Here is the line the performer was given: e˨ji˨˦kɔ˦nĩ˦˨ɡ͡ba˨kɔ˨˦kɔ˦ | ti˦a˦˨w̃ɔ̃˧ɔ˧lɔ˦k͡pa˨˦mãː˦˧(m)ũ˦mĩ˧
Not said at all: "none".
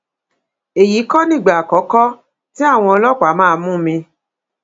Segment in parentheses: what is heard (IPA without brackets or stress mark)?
m